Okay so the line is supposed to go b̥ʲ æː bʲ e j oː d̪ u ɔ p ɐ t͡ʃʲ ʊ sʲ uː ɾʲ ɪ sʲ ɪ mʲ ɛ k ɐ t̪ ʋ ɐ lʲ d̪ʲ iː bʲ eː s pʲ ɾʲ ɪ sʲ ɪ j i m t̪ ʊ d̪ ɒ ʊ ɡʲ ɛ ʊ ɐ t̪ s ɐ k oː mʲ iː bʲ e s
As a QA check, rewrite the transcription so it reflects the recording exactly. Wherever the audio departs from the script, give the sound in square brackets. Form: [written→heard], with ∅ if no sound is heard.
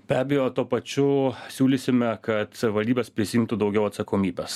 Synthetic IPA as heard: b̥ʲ æː bʲ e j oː [d̪→t̪] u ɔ p ɐ t͡ʃʲ ʊ sʲ uː [ɾʲ→lʲ] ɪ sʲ ɪ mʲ ɛ k ɐ t̪ ʋ ɐ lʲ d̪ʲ iː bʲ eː s pʲ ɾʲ ɪ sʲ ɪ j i m t̪ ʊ d̪ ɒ ʊ ɡʲ ɛ ʊ ɐ t̪ s ɐ k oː mʲ iː bʲ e s

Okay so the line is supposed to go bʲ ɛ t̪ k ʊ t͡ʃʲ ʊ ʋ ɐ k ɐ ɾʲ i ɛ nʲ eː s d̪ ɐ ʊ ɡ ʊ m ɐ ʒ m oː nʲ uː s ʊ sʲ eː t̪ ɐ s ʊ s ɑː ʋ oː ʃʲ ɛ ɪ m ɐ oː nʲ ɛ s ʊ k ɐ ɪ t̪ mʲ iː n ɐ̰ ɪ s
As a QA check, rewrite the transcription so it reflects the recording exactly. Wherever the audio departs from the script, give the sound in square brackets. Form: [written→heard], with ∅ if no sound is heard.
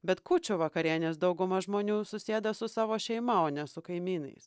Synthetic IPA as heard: bʲ ɛ t̪ k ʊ t͡ʃʲ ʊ ʋ ɐ k ɐ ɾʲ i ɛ nʲ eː s d̪ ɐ ʊ ɡ ʊ m ɐ ʒ m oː nʲ uː s ʊ sʲ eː [t̪→d̪] ɐ s ʊ s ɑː ʋ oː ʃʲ ɛ ɪ m ɐ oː nʲ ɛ s ʊ k ɐ ɪ [t̪→∅] mʲ iː n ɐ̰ ɪ s

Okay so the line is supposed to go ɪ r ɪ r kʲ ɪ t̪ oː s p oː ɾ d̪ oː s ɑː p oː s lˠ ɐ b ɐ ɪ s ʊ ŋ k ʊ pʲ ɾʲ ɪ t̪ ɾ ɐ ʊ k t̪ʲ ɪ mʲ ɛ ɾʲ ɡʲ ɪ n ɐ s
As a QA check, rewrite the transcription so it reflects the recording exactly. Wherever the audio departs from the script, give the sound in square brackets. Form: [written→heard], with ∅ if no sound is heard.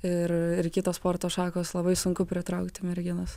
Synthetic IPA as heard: ɪ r ɪ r kʲ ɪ t̪ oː s p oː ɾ [d̪→t̪] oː [s→ʃ] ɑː [p→k] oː s lˠ ɐ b ɐ ɪ s ʊ ŋ k ʊ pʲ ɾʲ ɪ t̪ ɾ ɐ ʊ k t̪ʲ ɪ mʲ ɛ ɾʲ ɡʲ ɪ n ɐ s

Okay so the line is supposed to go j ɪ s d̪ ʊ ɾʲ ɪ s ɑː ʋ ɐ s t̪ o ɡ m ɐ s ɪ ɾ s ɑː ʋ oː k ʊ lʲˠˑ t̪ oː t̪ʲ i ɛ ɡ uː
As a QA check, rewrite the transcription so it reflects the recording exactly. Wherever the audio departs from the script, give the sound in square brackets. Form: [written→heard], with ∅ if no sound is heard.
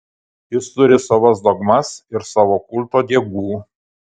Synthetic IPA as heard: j ɪ s [d̪→t̪] ʊ ɾʲ ɪ s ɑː ʋ ɐ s [t̪→d̪] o ɡ m ɐ s ɪ ɾ s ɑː ʋ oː k ʊ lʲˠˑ t̪ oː [t̪ʲ→d̪ʲ] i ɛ ɡ uː

